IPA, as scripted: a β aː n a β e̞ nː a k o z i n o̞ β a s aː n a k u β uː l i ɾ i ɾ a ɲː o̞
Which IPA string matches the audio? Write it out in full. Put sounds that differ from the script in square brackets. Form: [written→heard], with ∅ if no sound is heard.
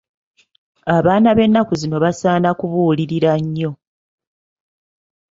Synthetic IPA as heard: a β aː n a β e̞ nː a k [o→u] z i n o̞ β a s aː n a k u β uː l i ɾ i ɾ a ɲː o̞